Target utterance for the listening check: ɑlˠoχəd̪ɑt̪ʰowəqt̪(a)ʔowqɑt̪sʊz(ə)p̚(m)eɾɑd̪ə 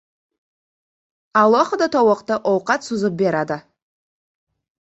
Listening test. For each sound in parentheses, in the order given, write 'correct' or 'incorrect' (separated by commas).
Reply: incorrect, correct, incorrect